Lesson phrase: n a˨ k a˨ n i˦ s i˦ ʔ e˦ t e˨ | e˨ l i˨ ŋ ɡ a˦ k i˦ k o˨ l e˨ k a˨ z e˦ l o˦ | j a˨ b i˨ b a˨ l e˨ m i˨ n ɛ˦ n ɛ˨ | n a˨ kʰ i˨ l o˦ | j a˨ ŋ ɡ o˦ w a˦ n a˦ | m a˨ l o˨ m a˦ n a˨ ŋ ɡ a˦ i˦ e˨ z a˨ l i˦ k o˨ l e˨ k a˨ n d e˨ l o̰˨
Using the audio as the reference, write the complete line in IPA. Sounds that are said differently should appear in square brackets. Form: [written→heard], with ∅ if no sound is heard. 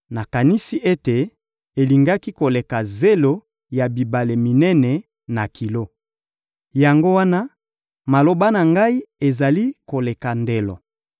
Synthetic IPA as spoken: n a˨ k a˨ n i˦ s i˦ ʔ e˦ t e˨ | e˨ l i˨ ŋ ɡ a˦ k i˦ k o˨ l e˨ k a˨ z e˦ l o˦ | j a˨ b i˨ b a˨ l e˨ m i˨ n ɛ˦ n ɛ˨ | n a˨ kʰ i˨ l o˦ | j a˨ ŋ ɡ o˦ w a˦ n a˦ | m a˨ l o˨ [m→b] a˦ n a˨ ŋ ɡ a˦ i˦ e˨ z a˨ l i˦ k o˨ l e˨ k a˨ n d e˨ l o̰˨

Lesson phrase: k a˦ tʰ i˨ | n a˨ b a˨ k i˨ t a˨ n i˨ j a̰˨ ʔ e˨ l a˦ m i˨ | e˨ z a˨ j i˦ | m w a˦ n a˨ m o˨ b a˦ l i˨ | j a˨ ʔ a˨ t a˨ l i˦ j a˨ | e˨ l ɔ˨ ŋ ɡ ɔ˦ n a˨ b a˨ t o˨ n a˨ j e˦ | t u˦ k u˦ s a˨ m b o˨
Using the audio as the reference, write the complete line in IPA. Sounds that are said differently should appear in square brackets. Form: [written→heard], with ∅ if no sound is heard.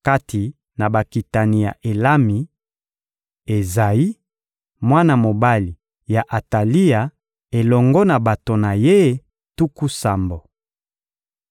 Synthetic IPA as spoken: k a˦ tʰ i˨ | n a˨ b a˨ k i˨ t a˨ n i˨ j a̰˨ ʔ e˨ l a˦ m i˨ | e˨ z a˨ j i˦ | m w a˦ n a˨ m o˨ b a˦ l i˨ | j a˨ ʔ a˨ t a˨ l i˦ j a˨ | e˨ l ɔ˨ ŋ ɡ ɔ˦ n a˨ b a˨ t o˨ n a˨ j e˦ | t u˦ k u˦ s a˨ m b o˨

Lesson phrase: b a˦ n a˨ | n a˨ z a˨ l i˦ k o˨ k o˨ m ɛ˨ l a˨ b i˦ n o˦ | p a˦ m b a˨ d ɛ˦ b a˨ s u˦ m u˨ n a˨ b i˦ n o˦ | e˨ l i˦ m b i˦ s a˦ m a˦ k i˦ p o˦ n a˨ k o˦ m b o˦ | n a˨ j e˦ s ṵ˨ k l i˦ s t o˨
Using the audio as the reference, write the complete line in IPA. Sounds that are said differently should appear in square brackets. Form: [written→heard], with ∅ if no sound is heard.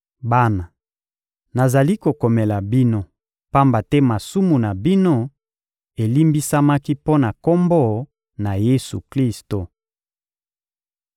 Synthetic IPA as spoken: b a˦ n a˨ | n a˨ z a˨ l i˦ k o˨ k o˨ m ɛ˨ l a˨ b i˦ n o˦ | p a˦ m b a˨ [d→t] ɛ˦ [b→m] a˨ s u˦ m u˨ n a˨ b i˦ n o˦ | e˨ l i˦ m b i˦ s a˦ m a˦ k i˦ p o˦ n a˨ k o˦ m b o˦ | n a˨ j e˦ s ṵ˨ k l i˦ s t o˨

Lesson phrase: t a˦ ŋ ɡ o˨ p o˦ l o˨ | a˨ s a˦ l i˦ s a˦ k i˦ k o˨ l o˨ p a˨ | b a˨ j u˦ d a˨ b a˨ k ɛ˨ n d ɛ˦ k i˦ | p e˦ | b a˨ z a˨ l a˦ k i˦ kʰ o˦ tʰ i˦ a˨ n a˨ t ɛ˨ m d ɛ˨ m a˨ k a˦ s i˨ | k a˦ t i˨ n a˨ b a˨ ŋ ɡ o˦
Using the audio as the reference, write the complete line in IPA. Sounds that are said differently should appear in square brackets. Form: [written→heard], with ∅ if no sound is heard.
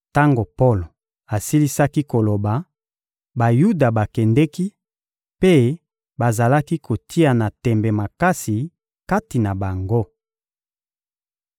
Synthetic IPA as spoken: t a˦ ŋ ɡ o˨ p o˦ l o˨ | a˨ s [a˦→i˦] l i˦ s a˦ k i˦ k o˨ l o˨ [p→b] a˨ | b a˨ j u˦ d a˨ b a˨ k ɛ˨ n d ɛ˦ k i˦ | p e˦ | b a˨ z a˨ l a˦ k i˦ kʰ [o˦→o˨] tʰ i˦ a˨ n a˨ t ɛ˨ m [d→b] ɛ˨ m a˨ k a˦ s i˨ | k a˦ t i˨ n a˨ b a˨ ŋ ɡ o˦

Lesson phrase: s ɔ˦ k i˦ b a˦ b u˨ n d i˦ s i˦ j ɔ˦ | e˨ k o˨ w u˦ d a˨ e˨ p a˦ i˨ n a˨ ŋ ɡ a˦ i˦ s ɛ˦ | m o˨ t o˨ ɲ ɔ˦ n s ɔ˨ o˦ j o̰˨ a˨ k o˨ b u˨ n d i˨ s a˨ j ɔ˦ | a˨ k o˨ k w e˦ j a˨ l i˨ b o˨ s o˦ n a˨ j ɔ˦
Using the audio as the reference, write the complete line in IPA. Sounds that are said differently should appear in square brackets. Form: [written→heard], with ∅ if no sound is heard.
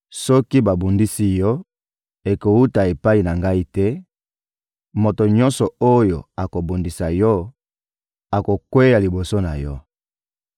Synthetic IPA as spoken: s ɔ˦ k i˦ b [a˦→a˨] b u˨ n d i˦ s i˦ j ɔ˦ | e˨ k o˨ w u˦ [d→t] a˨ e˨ p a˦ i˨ n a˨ ŋ ɡ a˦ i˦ [s→t] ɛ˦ | m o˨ t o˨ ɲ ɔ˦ n s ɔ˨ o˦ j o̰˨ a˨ k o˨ b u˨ n d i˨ s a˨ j ɔ˦ | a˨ k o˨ k w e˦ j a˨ l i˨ b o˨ s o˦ n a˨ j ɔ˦

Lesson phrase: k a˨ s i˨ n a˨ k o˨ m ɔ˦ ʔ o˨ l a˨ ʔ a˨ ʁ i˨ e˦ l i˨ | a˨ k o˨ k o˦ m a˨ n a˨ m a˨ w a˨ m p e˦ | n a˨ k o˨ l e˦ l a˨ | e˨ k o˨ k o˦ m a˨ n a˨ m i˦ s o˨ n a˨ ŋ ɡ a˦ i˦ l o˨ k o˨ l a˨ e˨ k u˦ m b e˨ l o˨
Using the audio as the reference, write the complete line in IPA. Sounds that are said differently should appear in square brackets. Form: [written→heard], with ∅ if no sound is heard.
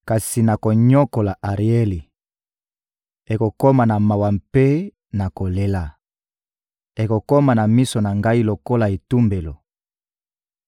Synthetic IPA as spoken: k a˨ s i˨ n a˨ k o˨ [m→ɲ] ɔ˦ [ʔ→k] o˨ l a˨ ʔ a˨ ʁ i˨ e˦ l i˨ | [a˨→e˨] k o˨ k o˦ m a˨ n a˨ m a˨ w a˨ m p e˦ | n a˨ k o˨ l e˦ l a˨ | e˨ k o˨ k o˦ m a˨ n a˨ m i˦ s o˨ n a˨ ŋ ɡ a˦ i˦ l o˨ k [o˨→o˦] l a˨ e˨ [k→t] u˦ m b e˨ l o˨

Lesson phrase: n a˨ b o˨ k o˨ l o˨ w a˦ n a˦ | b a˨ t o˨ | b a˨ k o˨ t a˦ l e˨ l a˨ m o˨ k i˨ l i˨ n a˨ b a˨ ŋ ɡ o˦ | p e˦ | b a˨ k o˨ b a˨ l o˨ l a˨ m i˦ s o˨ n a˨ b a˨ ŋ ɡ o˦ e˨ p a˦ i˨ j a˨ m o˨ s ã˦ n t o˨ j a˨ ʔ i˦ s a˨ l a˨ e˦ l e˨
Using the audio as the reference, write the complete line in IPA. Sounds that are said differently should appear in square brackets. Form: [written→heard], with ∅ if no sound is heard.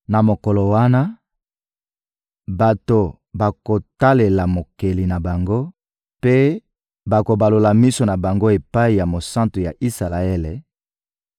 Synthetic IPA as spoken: n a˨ [b→m] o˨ k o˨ l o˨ w a˦ n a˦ | b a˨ t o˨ | b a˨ k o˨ t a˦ l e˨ l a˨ m o˨ k [i˨→e˨] l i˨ n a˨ b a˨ ŋ ɡ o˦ | p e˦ | b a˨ k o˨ b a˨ l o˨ l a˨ m i˦ s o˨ n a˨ b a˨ ŋ ɡ o˦ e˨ p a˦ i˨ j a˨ m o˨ s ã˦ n t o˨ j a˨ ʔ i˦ s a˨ l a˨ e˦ l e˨

